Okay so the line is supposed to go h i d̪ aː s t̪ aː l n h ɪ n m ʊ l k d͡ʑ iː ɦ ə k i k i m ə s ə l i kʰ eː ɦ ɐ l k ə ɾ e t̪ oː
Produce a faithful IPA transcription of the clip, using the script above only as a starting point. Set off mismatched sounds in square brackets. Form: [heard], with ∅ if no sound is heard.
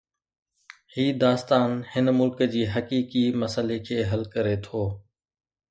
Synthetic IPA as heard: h [iː] d̪ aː s t̪ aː [∅] n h ɪ n m ʊ l k d͡ʑ iː ɦ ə k [iː] k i m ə s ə l [e] kʰ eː ɦ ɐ l k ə ɾ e [t̪ʰ] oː

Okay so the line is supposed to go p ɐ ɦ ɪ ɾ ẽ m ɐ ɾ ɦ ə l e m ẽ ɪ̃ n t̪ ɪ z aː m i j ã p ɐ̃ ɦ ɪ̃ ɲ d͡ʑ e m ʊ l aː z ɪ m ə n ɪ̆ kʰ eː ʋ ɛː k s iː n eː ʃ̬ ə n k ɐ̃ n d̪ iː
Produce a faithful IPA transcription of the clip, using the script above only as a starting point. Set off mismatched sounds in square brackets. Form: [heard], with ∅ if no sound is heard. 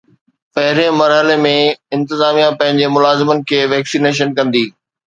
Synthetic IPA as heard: p ɐ ɦ ɪ ɾ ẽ m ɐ ɾ ɦ ə l e m ẽ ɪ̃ n t̪ ɪ z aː m i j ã p ɐ̃ ɦ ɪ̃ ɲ d͡ʑ e m ʊ l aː z ɪ m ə n ɪ̆ kʰ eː ʋ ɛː k s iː n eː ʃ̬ ə n k ɐ̃ n d̪ iː

